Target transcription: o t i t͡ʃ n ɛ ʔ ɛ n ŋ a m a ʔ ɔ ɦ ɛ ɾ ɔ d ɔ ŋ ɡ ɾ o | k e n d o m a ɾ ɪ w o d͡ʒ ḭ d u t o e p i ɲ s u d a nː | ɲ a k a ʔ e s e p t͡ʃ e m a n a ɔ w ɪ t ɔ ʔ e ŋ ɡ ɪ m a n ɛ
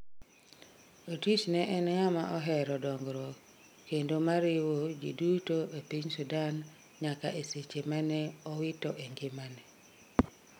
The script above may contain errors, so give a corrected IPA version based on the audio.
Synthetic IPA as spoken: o t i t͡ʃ n ɛ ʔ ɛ n ŋ a m a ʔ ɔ ɦ ɛ ɾ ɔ d ɔ ŋ ɡ ɾ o | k e n d o m a ɾ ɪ w o d͡ʒ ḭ d u t o e p i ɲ s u d a n | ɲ a k a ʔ e s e t͡ʃ e m a n ɛ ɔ w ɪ t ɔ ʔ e ŋ ɡ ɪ m a n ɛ

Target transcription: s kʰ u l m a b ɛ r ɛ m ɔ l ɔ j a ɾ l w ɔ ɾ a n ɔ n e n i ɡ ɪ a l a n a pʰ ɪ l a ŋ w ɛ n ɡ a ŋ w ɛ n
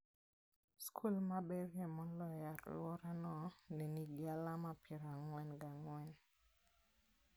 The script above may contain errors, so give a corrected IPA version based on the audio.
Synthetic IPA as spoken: s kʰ u l m a b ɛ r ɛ m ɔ l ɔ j a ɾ l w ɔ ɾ a n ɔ n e n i ɡ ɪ a l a m a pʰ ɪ ɾ a ŋ w ɛ n ɡ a ŋ w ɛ n

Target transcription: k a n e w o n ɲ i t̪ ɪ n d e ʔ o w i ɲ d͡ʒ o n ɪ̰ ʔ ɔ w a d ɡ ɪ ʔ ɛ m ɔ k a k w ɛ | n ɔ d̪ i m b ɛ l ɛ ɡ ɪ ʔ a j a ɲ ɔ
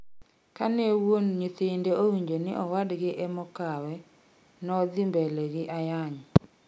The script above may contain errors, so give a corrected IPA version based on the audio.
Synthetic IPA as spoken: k a n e w o n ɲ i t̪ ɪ n d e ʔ o w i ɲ d͡ʒ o n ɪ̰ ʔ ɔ w a d ɡ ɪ ʔ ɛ m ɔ k a w ɛ | n ɔ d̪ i m b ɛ l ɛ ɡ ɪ ʔ a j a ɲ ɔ

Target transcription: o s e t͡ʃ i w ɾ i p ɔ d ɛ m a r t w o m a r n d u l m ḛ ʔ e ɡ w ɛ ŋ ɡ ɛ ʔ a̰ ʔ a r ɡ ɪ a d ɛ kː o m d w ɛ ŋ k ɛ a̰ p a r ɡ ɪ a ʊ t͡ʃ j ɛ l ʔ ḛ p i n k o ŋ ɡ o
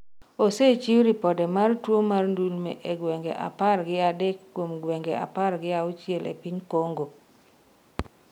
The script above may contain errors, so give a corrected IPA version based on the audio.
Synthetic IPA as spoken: o s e t͡ʃ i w ɾ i p ɔ d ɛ m a r t w o m a r n d u l m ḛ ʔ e ɡ w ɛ ŋ ɡ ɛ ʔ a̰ p a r ɡ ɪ a d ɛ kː o m ɡ w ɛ ŋ ɡ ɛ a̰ p a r ɡ ɪ a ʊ t͡ʃ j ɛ l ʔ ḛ p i ɲ k o ŋ ɡ o

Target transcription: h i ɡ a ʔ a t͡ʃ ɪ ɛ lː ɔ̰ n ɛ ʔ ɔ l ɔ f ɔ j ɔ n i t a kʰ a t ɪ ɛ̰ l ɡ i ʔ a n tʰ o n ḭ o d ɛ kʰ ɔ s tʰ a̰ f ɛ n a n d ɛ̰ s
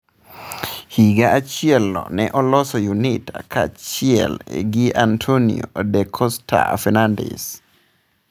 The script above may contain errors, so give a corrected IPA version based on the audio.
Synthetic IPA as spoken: h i ɡ a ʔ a t͡ʃ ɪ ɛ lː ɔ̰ n ɛ ʔ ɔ l ɔ s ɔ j u n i t a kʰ a t͡ʃ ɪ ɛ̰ l ɡ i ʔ a n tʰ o n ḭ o d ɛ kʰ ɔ s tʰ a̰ f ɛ n a n d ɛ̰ s

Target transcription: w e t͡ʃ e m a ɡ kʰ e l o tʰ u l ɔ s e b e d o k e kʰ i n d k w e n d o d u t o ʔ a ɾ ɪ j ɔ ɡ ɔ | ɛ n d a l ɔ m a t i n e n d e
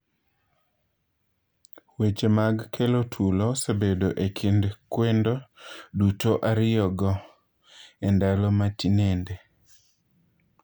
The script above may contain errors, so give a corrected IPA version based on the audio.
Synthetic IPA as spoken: w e t͡ʃ e m a ɡ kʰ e l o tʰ u l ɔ s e b e d o ʔ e kʰ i n d k w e n d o d u t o ʔ a ɾ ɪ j ɔ ɡ ɔ | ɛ n d a l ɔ m a t i n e n d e

